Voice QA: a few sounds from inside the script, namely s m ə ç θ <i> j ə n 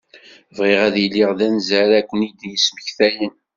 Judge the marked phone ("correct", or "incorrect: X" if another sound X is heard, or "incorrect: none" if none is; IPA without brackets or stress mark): incorrect: æ